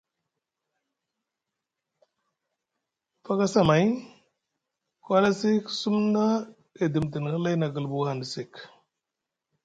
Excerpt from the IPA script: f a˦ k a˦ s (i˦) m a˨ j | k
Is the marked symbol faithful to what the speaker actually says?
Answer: no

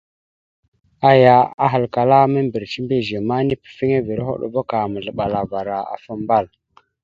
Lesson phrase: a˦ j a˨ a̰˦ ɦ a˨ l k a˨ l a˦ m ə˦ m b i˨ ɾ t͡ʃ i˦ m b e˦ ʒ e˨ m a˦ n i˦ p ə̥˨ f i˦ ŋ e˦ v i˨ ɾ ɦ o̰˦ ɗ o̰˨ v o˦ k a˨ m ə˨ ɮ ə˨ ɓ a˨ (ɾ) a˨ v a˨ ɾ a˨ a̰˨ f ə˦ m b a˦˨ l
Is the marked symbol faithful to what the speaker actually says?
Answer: no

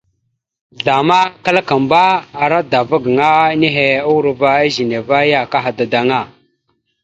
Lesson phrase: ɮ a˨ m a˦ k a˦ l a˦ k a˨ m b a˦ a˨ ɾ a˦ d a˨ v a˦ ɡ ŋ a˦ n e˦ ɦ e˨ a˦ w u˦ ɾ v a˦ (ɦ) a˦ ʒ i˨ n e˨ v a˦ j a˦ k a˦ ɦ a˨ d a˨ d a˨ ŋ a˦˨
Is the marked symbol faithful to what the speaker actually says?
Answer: no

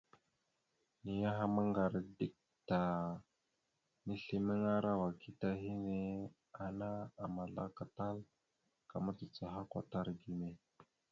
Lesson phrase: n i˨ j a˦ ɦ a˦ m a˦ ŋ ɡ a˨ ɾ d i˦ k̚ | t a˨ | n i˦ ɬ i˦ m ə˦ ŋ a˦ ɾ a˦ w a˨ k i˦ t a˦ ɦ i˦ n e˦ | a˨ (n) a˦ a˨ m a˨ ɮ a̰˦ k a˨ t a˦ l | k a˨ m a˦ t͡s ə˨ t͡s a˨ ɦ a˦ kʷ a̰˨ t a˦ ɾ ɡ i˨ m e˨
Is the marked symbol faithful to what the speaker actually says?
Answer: yes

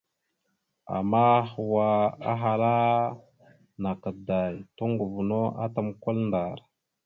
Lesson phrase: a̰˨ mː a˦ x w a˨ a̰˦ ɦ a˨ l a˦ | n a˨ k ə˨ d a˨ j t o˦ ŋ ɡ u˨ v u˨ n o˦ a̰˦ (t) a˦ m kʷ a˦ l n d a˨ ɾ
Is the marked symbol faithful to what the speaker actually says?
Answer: yes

